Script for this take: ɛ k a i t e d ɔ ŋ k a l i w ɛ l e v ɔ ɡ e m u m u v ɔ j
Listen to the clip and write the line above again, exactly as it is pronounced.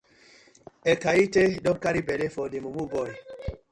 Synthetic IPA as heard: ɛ k a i t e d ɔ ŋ k a ɾ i b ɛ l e f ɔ d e m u m u b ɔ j

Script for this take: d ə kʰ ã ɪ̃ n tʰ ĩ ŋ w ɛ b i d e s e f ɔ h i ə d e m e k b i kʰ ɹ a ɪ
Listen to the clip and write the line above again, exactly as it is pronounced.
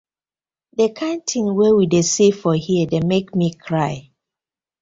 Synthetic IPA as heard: d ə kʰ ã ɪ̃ n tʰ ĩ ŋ w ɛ w i d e s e f ɔ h i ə d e m e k m i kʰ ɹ a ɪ

